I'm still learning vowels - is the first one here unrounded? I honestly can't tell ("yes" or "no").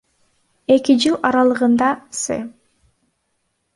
yes